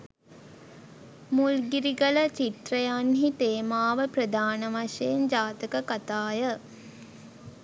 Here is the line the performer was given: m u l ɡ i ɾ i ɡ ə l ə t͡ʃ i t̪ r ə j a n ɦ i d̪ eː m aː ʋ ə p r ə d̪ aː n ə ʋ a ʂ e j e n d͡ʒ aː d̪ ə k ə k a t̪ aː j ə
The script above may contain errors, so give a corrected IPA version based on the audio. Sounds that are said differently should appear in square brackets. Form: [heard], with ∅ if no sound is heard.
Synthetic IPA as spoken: m u l ɡ i ɾ i ɡ ə l ə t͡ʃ i t̪ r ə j a n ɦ i [t̪] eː m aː ʋ ə p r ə d̪ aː n ə ʋ a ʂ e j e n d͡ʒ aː [t̪] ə k ə k a t̪ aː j ə

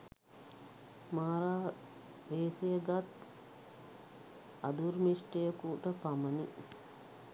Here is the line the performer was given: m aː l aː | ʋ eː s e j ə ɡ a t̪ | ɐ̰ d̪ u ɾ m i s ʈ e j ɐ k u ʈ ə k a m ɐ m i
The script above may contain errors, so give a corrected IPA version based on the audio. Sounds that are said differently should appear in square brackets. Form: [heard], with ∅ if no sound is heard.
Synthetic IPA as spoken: m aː [ɾ] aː | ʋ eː s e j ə ɡ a t̪ | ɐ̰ d̪ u ɾ m i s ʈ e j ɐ k u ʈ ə [p] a m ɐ [n] i

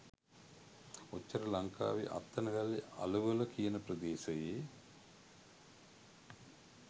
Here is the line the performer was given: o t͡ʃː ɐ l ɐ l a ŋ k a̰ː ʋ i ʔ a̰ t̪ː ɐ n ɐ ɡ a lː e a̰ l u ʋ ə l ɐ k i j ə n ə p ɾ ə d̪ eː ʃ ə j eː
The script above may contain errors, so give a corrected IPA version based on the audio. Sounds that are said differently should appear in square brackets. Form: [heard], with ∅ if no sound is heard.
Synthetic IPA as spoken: o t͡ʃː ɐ [ɾ] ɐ l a ŋ k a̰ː ʋ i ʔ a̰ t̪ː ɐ n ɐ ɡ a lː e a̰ l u ʋ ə l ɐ k i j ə n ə p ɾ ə d̪ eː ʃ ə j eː

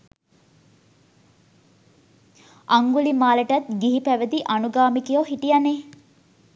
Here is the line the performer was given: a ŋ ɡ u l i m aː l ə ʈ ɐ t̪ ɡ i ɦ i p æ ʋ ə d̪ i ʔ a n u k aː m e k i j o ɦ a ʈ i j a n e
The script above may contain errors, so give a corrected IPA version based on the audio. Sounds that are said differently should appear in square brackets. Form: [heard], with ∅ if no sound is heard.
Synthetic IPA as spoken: a ŋ ɡ u l i m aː l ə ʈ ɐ t̪ ɡ i ɦ i p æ ʋ ə d̪ i ʔ a n u [ɡ] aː m [i] k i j o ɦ [i] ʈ i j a n e

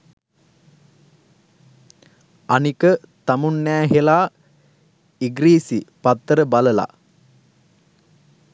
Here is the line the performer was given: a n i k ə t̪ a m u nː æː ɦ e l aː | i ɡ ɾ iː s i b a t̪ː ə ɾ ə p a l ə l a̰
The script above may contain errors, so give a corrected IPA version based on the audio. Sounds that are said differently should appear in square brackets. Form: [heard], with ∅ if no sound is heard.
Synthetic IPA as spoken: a n i k ə t̪ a m u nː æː ɦ e l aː | i ɡ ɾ iː s i [p] a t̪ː ə ɾ ə [b] a l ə l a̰

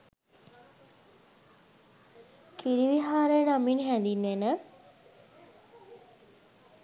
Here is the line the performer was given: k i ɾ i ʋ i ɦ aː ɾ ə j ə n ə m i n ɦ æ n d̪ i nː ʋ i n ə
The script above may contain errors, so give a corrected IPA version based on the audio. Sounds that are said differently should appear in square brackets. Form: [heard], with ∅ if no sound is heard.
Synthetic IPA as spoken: k i ɾ i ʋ i ɦ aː ɾ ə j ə n [a] m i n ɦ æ n d̪ i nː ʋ [e] n ə

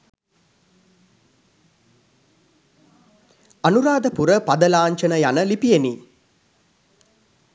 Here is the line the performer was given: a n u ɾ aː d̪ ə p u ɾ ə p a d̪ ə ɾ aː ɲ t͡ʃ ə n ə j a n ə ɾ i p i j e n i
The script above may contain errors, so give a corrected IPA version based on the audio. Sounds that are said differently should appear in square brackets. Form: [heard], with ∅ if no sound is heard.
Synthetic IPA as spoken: a n u ɾ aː d̪ ə p u ɾ ə p a d̪ ə [l] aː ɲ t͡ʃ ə n ə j a n ə [l] i p i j e n i

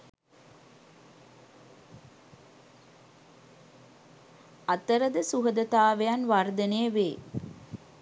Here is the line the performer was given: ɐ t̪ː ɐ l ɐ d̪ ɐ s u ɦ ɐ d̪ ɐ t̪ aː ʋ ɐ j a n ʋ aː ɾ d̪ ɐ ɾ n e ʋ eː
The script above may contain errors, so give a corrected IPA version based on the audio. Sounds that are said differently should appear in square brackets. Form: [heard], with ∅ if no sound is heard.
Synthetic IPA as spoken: ɐ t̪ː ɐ [ɾ] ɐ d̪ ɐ s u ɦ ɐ d̪ ɐ t̪ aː ʋ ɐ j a n ʋ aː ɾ d̪ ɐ [∅] n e ʋ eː

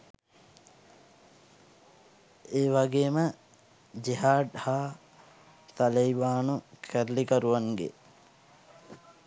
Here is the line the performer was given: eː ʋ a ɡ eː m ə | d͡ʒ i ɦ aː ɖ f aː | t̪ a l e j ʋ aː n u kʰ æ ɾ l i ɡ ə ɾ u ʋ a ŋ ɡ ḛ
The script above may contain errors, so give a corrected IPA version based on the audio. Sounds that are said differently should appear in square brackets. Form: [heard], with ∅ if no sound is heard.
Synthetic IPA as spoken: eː ʋ a ɡ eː m ə | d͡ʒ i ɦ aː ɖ [h] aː | t̪ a l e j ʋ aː n u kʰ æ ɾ l i [k] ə ɾ u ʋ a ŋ ɡ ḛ

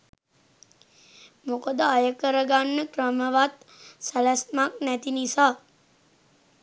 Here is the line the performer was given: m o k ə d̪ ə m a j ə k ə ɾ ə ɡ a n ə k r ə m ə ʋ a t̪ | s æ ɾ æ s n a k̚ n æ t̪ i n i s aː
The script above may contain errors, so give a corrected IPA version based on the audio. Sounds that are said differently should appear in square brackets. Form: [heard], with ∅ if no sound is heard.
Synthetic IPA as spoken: m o k ə d̪ ə [∅] a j ə k ə ɾ ə ɡ a [nː] ə k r ə m ə ʋ a t̪ | s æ [l] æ s [m] a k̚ n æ t̪ i n i s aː

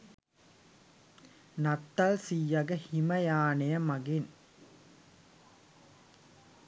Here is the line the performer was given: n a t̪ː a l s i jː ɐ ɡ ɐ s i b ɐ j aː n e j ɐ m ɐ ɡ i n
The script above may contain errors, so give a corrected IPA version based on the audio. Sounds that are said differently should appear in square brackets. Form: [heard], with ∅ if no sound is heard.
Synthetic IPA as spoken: n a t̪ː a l s i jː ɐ ɡ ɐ [h] i [m] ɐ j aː n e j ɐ m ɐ ɡ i n

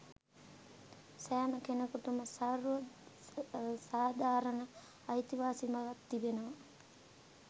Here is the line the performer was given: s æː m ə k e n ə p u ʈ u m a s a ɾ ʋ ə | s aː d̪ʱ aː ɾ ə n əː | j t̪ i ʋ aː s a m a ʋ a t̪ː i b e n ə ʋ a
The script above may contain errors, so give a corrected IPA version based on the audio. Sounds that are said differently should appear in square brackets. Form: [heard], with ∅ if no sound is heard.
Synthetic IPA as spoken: s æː m ə k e n ə [k] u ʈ u m [ə] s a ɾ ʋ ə | s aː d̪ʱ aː ɾ ə n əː | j t̪ i ʋ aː s [i] m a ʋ a t̪ː i b e n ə ʋ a

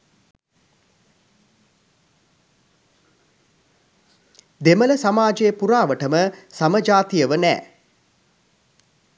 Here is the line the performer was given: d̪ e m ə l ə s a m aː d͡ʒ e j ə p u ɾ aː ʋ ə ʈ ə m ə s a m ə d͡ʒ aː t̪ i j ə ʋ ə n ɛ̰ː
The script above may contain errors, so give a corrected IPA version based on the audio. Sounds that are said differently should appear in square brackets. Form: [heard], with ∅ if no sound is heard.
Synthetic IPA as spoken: d̪ e m ə l ə s a m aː d͡ʒ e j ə p u ɾ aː ʋ ə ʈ ə m ə s a m ə d͡ʒ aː t̪ i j ə ʋ ə n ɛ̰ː

